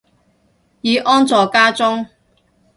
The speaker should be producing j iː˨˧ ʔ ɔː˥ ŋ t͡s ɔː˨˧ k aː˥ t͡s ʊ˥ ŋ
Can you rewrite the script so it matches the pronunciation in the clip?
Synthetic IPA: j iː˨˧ ʔ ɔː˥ n t͡s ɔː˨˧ k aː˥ t͡s ʊ˥ ŋ